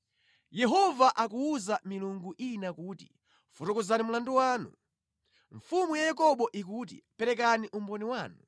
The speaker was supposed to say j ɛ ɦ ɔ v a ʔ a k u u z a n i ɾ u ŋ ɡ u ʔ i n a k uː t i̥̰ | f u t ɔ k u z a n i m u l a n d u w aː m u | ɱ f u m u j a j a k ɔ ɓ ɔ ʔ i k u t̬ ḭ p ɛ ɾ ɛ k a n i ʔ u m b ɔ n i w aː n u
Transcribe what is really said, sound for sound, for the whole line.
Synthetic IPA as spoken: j ɛ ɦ ɔ v a ʔ a k u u z a m i l u ŋ ɡ u ʔ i n a k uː t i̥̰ | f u t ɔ k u z a n i m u l a n d u w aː n u | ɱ f u m u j a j a k ɔ ɓ ɔ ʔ i k u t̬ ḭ p ɛ ɾ ɛ k a n i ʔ u m b ɔ n i w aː n u